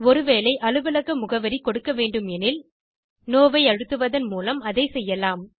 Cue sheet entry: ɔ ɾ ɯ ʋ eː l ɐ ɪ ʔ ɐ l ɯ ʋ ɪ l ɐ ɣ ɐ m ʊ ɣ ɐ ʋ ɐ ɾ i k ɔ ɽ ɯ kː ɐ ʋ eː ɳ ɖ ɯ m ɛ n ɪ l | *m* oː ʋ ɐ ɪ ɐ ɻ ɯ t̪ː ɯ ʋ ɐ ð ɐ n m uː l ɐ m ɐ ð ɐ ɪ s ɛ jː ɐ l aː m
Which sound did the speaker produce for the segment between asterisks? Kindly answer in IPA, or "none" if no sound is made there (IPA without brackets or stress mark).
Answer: n